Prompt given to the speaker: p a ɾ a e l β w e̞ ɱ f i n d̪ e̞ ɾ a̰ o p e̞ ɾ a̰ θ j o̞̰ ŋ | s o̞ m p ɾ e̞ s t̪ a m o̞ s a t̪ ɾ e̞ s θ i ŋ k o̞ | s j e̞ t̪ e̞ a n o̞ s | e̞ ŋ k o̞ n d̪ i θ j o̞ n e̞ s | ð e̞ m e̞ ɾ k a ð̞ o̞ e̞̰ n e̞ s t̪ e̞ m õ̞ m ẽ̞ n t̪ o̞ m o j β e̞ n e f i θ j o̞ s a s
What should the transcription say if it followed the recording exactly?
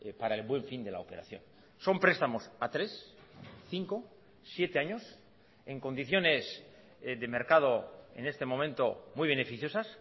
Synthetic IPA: p a ɾ a e l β w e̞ ɱ f i n d̪ e̞ l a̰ o p e̞ ɾ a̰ θ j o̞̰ n | s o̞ m p ɾ e̞ s t̪ a m o̞ s a t̪ ɾ e̞ s θ i ŋ k o̞ | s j e̞ t̪ e̞ a ɲ o̞ s | e̞ ŋ k o̞ n d̪ i θ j o̞ n e̞ s | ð e̞ m e̞ ɾ k a ð̞ o̞ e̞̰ n e̞ s t̪ e̞ m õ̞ m ẽ̞ n t̪ o̞ m u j β e̞ n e f i θ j o̞ s a s

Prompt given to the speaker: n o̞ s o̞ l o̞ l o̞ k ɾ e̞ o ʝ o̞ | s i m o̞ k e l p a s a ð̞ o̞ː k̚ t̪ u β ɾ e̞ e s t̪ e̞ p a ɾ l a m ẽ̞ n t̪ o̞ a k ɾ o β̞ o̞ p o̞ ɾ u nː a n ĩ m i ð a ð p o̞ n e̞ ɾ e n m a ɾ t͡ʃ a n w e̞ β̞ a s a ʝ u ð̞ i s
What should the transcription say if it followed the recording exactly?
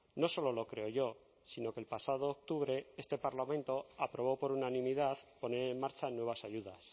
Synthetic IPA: n o̞ s o̞ l o̞ l o̞ k ɾ e̞ o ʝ o̞ | s i n o̞ k e l p a s a ð̞ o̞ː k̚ t̪ u β ɾ e̞ e s t̪ e̞ p a ɾ l a m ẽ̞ n t̪ o̞ a p ɾ o β̞ o̞ p o̞ ɾ u n a n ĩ m i ð a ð p o̞ n e̞ ɾ e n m a ɾ t͡ʃ a n w e̞ β̞ a s a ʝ u ð̞ a s

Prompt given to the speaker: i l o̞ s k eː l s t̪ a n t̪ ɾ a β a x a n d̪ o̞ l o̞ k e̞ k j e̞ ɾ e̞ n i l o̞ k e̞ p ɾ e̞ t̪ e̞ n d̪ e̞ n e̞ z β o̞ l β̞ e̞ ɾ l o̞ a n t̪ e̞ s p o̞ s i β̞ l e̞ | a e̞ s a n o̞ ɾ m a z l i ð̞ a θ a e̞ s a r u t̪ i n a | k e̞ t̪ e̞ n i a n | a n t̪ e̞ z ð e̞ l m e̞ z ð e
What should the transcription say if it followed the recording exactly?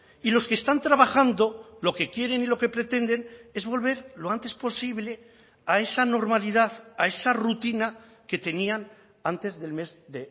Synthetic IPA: i l o̞ s k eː s t̪ a n t̪ ɾ a β a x a n d̪ o̞ l o̞ k e̞ k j e̞ ɾ e̞ n i l o̞ k e̞ p ɾ e̞ t̪ e̞ n d̪ e̞ n e̞ z β o̞ l β̞ e̞ ɾ l o̞ a n t̪ e̞ s p o̞ s i β̞ l e̞ | a e̞ s a n o̞ ɾ m a l i ð̞ a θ a e̞ s a r u t̪ i n a | k e̞ t̪ e̞ n i a n | a n t̪ e̞ z ð e̞ l m e̞ z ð e

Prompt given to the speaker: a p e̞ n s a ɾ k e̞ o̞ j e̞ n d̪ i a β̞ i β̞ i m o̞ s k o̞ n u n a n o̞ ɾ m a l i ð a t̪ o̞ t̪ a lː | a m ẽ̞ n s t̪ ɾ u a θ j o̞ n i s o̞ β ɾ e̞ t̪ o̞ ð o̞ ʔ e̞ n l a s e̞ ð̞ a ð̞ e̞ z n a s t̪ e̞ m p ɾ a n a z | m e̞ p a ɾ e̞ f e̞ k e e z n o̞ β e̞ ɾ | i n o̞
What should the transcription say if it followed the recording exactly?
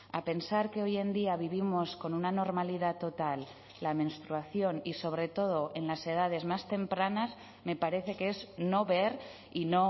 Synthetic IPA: a p e̞ n s a ɾ k e̞ o̞ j e̞ n d̪ i a β̞ i β̞ i m o̞ s k o̞ n u n a n o̞ ɾ m a l i ð a t̪ o̞ t̪ a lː | a m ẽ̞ n s t̪ ɾ u a θ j o̞ n i s o̞ β ɾ e̞ t̪ o̞ ð o̞ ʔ e̞ n l a s e̞ ð̞ a ð̞ e̞ z m a s t̪ e̞ m p ɾ a n a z | m e̞ p a ɾ e̞ θ e̞ k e e z n o̞ β e̞ ɾ | i n o̞

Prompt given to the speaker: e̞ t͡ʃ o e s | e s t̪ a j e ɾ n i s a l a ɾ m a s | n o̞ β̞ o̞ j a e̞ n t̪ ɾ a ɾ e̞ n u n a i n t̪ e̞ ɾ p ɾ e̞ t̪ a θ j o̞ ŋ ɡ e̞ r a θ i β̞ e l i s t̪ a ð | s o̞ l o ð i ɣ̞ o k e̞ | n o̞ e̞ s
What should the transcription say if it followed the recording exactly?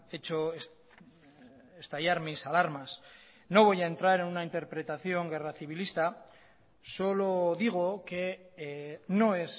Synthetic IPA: e̞ t͡ʃ o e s | e s t̪ a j a ɾ m i s a l a ɾ m a s | n o̞ β̞ o̞ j a e̞ n t̪ ɾ a ɾ e̞ n u n a i n t̪ e̞ ɾ p ɾ e̞ t̪ a θ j o̞ ŋ ɡ e̞ r a θ i β̞ i l i s t̪ a | s o̞ l o ð i ɣ̞ o k e̞ | n o̞ e̞ s

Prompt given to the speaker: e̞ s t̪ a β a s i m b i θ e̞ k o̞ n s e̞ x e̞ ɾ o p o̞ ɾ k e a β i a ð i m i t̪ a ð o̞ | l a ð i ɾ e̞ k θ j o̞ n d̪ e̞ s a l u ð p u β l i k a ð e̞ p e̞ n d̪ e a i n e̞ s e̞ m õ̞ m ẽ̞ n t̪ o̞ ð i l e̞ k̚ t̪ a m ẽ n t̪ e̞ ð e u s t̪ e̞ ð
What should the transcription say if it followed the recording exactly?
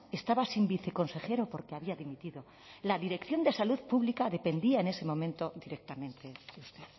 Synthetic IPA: e̞ s t̪ a β a s i m b i θ e̞ k o̞ n s e̞ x e̞ ɾ o p o̞ ɾ k e a β i a ð i m i t̪ i ð o̞ | l a ð i ɾ e̞ k θ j o̞ n d̪ e̞ s a l u ð p u β l i k a ð e̞ p e̞ n d̪ i a e n e̞ s e̞ m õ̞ m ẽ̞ n t̪ o̞ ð i ɾ e̞ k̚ t̪ a m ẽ n t̪ e̞ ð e u s t̪ e̞ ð

